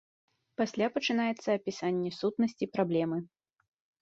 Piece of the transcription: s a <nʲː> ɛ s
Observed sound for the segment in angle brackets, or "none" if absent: nʲː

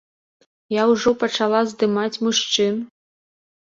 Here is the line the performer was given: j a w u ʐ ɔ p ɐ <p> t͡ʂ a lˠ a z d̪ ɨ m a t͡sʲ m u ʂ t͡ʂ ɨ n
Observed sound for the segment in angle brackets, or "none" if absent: none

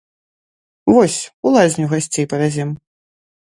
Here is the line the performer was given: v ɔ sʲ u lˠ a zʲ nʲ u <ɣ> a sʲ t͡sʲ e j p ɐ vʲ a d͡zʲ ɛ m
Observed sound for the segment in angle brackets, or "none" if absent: ɣ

